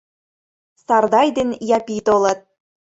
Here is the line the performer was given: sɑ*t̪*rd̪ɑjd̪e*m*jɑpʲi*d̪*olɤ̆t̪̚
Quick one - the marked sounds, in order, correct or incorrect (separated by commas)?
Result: incorrect, incorrect, incorrect